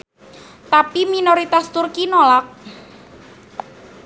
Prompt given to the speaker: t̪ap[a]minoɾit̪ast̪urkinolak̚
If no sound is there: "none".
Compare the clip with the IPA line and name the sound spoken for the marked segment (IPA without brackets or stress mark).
i